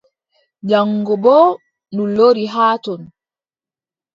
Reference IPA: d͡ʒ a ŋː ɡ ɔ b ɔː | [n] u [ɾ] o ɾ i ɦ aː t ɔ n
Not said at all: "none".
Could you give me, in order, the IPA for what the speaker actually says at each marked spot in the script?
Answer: n, l

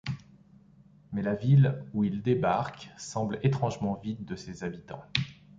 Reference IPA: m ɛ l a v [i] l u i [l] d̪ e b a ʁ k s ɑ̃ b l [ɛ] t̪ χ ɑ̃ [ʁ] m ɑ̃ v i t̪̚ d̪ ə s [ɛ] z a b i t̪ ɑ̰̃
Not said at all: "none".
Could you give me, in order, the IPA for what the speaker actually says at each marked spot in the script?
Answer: i, l, e, ʒ, e

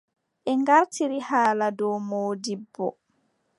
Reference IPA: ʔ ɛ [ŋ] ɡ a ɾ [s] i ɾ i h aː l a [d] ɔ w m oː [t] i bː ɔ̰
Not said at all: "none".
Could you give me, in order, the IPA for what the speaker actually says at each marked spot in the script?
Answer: ŋ, t, d, d

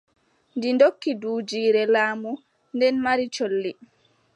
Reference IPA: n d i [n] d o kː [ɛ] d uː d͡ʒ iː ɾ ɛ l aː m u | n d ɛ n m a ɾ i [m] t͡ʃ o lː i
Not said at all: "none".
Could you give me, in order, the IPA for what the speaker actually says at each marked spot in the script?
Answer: n, i, none

